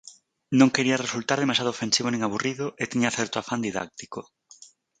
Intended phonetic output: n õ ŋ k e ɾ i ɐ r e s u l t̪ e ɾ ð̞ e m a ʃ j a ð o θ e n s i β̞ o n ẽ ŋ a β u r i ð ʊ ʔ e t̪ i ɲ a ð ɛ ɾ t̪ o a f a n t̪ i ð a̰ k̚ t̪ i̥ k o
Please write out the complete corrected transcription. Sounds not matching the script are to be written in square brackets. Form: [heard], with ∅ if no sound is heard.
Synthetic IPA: n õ ŋ k e ɾ i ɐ r e s u l t̪ [a] ɾ ð̞ e m a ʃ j a ð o [f] e n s i β̞ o n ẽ ŋ a β u r i ð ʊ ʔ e t̪ i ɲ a [θ] ɛ ɾ t̪ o a f a n [d̪] i ð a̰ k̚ t̪ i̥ k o